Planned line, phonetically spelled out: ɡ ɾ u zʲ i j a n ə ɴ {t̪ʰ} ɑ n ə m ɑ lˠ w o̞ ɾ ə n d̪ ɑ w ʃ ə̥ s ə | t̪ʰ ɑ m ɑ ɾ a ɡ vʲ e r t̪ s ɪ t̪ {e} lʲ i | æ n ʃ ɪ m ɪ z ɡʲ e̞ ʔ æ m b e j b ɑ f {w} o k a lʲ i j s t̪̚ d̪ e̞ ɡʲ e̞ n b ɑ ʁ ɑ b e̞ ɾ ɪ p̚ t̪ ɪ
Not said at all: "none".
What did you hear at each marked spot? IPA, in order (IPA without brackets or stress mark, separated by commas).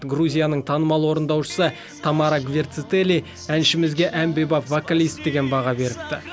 t̪ʰ, e, v